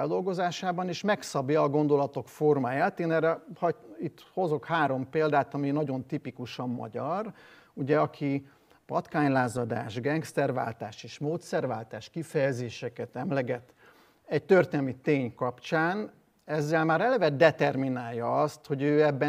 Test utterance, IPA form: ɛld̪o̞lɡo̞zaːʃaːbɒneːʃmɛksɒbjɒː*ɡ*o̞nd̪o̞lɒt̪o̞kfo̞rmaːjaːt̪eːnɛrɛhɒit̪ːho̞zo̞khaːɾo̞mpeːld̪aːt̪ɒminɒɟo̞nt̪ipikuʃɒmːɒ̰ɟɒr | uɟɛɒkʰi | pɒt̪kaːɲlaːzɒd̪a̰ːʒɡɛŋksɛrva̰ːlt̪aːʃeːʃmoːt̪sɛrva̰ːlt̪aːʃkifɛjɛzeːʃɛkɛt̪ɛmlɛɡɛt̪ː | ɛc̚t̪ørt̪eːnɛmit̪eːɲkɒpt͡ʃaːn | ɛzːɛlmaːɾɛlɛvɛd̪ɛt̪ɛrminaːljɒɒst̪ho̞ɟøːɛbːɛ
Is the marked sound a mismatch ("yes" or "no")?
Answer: no